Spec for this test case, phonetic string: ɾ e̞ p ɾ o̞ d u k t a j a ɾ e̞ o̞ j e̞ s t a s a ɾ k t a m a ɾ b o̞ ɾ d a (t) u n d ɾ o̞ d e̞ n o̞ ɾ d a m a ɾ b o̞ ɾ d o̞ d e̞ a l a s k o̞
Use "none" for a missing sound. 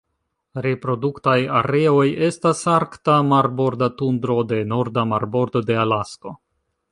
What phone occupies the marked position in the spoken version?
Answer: t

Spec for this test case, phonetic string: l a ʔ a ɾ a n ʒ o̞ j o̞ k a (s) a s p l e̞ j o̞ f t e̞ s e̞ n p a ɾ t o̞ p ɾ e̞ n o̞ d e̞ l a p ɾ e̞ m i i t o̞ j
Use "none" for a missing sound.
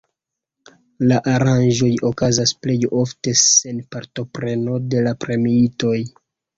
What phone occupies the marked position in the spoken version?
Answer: z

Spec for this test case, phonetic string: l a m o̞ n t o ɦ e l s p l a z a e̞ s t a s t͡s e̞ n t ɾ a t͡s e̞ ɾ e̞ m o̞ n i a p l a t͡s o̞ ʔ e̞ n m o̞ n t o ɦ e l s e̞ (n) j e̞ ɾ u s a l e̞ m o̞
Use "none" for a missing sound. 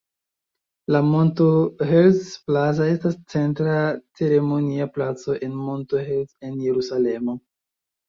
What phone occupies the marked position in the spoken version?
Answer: n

